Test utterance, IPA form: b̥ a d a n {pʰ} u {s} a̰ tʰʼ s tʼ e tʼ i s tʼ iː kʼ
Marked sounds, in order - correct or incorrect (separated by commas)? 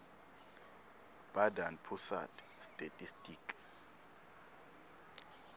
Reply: correct, correct